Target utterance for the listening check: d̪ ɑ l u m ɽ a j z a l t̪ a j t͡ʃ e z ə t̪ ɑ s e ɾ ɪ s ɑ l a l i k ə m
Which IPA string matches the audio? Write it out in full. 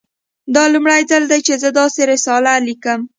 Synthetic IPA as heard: d̪ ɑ l u m ɽ a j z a l d̪ a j t͡ʃ e z ə d̪ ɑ s e ɾ ɪ s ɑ l a l i k ə m